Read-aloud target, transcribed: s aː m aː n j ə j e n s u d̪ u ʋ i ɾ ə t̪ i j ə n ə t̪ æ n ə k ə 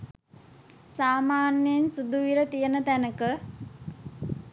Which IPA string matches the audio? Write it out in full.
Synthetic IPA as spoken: s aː m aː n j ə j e n s u d̪ u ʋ i ɾ ə t̪ i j ə n ə t̪ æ n ə k ə